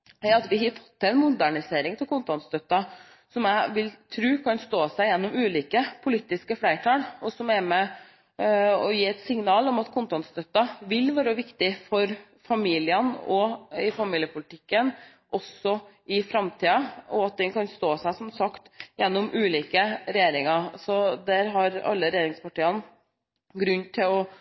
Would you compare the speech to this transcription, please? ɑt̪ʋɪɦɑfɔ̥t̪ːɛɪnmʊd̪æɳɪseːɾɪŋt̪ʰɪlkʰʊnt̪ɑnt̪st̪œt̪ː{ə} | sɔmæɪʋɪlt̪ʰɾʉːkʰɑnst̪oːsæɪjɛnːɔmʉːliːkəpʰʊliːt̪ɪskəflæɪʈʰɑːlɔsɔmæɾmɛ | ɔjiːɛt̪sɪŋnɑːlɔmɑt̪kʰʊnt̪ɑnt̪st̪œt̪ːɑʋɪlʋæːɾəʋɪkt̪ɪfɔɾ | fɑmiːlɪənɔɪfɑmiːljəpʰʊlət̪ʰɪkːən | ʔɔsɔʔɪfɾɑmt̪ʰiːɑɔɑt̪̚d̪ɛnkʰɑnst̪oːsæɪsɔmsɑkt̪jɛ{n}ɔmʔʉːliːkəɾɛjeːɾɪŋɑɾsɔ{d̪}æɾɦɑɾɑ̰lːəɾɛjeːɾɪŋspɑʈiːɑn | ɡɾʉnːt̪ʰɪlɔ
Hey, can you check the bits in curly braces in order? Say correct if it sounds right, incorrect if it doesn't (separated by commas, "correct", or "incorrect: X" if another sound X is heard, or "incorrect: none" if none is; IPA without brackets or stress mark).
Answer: incorrect: ɑ, incorrect: nː, correct